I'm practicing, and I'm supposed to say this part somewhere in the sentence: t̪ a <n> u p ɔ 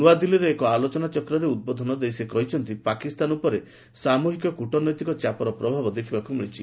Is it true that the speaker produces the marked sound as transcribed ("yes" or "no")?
yes